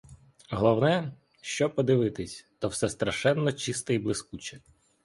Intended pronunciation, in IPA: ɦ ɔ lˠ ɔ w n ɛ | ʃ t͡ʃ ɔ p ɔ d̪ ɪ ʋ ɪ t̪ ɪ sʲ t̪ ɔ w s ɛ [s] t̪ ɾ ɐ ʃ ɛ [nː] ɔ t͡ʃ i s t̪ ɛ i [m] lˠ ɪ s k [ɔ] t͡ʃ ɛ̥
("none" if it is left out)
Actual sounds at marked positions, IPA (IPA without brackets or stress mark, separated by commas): s, nː, b, u